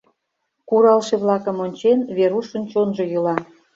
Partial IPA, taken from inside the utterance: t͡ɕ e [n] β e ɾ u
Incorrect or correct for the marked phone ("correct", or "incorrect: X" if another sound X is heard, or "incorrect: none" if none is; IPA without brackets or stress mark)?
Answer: correct